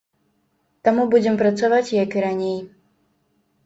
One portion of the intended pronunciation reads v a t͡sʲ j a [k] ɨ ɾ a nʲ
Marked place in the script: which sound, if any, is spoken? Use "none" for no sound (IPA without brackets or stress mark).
k